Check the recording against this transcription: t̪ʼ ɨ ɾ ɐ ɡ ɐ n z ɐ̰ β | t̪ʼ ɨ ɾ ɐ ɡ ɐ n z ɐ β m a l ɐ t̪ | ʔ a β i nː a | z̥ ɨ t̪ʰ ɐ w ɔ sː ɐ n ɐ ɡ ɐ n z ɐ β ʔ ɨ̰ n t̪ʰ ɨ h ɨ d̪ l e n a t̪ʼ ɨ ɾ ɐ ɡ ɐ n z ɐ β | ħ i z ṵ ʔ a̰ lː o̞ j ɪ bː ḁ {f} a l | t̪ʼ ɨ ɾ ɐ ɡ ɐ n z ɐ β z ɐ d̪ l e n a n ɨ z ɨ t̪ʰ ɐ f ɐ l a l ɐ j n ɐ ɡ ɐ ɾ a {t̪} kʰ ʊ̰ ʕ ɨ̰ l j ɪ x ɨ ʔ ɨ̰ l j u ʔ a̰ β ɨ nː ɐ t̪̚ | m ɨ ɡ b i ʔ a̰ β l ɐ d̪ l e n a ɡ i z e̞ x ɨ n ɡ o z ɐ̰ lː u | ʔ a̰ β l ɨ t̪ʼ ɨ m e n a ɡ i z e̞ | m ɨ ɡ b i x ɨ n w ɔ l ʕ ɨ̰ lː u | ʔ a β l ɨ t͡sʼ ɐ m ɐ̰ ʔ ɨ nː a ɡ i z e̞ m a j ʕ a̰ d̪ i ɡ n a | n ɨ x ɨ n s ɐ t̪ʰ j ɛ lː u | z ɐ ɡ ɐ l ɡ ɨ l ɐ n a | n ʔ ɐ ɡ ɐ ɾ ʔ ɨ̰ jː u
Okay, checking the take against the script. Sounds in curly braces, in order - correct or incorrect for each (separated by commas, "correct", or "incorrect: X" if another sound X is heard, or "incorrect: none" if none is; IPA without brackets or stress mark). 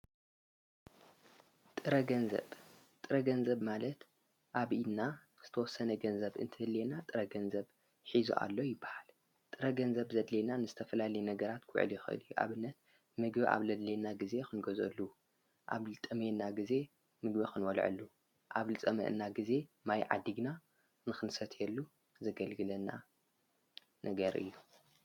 incorrect: h, correct